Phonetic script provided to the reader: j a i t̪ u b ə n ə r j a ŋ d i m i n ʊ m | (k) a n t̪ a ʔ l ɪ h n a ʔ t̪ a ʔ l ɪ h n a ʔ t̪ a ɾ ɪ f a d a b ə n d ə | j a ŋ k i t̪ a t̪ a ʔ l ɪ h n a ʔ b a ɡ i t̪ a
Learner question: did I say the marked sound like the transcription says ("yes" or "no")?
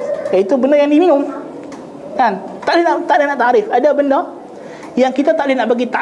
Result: yes